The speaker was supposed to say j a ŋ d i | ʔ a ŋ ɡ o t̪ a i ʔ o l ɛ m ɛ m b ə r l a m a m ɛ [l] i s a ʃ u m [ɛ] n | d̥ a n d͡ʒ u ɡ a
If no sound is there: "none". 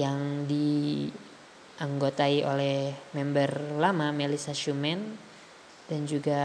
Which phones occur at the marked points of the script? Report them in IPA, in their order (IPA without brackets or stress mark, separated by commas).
l, ɛ